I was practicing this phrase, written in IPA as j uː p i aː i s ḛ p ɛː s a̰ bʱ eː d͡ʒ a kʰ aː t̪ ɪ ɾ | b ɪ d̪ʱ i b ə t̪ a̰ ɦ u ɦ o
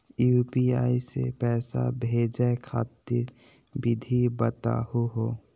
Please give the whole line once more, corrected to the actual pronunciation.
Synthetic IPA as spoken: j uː p i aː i s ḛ p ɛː s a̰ bʱ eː d͡ʒ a kʰ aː t̪ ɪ ɾ | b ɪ d̪ʱ i b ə t̪ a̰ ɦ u ɦ o